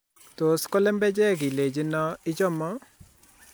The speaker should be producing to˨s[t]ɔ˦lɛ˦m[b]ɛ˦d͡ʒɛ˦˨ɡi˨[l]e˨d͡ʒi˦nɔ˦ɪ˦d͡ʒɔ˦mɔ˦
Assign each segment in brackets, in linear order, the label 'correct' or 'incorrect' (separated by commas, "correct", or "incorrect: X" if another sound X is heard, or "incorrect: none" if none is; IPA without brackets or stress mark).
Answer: incorrect: k, correct, correct